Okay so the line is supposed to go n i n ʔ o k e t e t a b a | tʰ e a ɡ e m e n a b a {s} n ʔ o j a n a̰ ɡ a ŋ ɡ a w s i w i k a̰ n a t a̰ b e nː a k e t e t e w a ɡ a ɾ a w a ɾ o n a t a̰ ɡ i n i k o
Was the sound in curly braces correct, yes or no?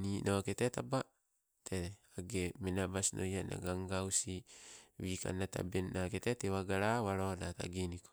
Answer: yes